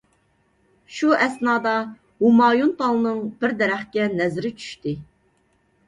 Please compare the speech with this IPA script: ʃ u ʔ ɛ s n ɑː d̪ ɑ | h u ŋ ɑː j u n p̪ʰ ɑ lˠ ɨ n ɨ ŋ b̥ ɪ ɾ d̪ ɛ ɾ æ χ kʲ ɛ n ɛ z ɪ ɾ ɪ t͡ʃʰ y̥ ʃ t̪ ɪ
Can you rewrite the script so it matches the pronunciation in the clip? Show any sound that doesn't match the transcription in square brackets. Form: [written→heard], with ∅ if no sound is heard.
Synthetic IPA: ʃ u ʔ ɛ s n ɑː d̪ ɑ | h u [ŋ→m] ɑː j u n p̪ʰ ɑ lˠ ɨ n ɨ ŋ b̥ ɪ ɾ d̪ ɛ ɾ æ χ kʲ ɛ n ɛ z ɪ ɾ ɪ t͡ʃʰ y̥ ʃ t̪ ɪ

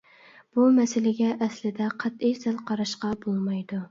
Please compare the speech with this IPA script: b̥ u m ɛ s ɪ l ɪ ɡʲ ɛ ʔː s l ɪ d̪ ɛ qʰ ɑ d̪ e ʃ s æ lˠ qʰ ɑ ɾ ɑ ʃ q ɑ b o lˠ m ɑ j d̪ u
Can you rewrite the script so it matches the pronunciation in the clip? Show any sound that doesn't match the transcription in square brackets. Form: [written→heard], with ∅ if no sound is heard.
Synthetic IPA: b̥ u m ɛ s ɪ l ɪ ɡʲ ɛ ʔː s l ɪ d̪ ɛ qʰ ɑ [d̪→t̪] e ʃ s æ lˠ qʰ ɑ ɾ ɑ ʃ q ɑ b o lˠ m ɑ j d̪ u

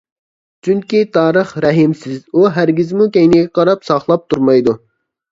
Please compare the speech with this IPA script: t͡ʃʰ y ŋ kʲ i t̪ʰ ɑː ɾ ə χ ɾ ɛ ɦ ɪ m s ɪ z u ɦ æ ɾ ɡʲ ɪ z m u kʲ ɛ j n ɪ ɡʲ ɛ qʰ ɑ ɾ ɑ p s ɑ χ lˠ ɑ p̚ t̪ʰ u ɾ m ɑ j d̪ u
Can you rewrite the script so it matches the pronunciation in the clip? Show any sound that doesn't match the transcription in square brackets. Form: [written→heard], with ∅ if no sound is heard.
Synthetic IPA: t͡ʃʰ y ŋ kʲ i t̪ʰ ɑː ɾ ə χ ɾ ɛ ɦ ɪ m s ɪ z u ɦ æ ɾ ɡʲ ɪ z m u kʲ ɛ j n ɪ ɡʲ ɛ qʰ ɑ ɾ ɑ p s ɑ χ lˠ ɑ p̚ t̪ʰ u ɾ m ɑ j d̪ u

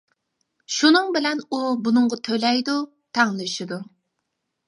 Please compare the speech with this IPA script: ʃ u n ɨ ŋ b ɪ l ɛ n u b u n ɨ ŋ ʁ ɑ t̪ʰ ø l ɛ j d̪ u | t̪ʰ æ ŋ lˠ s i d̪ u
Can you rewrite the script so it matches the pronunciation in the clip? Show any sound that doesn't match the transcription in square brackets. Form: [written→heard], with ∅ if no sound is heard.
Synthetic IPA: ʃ u n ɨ ŋ b ɪ l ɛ n u b u n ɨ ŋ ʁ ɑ t̪ʰ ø l ɛ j d̪ u | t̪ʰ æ ŋ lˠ [s→ʃ] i d̪ u

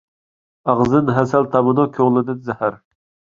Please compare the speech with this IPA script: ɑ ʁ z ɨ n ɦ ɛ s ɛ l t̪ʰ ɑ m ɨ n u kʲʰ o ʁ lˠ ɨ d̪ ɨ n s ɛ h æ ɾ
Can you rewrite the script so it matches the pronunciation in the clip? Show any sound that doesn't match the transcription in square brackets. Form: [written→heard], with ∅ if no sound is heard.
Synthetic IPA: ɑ ʁ z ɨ n ɦ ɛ s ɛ l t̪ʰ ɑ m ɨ n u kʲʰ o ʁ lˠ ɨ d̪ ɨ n [s→z] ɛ h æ ɾ

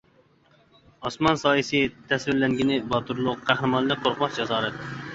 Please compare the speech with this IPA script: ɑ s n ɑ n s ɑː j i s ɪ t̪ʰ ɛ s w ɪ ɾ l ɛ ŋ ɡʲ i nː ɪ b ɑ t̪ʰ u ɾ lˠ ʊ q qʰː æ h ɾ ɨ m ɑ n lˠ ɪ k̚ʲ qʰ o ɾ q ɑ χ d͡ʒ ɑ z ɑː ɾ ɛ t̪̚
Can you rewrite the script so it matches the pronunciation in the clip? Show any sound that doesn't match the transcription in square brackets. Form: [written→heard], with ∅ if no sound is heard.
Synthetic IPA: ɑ s [n→m] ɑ n s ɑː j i s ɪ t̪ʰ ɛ s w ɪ ɾ l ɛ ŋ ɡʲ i [nː→n] ɪ b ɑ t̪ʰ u ɾ lˠ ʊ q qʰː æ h ɾ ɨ m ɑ n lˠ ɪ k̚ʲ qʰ o ɾ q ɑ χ d͡ʒ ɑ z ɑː ɾ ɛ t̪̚

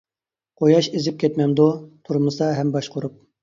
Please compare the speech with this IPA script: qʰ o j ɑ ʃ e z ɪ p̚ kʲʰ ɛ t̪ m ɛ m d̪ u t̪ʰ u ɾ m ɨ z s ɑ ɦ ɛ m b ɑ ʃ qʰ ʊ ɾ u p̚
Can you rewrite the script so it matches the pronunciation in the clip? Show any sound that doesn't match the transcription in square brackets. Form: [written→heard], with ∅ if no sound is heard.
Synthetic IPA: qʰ o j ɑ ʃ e z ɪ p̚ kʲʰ ɛ t̪ m ɛ m d̪ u t̪ʰ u ɾ m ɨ [z→∅] s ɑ ɦ ɛ m b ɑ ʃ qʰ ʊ ɾ u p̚

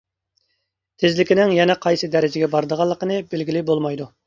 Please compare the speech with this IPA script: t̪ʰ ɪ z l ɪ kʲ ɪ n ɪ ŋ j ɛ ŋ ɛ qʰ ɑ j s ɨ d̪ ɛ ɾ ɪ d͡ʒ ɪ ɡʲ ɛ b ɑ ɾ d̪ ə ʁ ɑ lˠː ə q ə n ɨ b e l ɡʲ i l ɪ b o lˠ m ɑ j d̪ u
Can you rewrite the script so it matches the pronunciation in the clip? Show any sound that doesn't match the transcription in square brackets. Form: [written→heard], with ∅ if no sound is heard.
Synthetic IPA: t̪ʰ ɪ z l ɪ kʲ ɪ n ɪ ŋ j ɛ [ŋ→n] ɛ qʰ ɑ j s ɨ d̪ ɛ ɾ ɪ d͡ʒ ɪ ɡʲ ɛ b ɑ ɾ d̪ ə ʁ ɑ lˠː ə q ə n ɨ b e l ɡʲ i l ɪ b o lˠ m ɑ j d̪ u

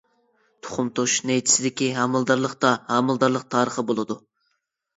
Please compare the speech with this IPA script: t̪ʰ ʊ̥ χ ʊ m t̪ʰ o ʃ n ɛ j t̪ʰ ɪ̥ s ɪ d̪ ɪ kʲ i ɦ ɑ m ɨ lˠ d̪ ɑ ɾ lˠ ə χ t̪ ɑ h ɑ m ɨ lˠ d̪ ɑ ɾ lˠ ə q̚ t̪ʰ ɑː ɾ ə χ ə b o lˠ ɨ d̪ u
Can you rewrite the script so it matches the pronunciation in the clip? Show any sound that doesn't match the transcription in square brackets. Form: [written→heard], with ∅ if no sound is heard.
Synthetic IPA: t̪ʰ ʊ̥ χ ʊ m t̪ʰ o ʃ n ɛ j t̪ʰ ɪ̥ s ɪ d̪ ɪ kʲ i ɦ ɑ m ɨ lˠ d̪ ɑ ɾ lˠ ə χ t̪ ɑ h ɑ m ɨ lˠ d̪ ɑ ɾ lˠ ə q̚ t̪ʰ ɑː ɾ ə χ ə b o lˠ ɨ d̪ u

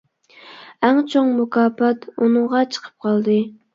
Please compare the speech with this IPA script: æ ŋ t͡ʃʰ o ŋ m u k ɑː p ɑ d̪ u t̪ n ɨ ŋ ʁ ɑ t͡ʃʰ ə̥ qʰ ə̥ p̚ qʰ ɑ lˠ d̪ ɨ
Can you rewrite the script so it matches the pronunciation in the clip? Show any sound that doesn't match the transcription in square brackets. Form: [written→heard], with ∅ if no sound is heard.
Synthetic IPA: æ ŋ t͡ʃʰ o ŋ m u k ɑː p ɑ [d̪→t̪] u [t̪→∅] n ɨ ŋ ʁ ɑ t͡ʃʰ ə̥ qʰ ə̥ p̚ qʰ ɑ lˠ d̪ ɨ

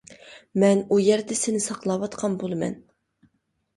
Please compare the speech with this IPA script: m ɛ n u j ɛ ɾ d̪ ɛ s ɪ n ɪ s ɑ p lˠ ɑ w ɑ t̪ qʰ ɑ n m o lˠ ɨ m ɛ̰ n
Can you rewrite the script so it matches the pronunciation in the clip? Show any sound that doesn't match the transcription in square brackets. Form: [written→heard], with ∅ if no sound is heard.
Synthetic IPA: m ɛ n u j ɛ ɾ d̪ ɛ s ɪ n ɪ s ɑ [p→q] lˠ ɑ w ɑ t̪ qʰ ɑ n [m→b] o lˠ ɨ m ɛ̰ n

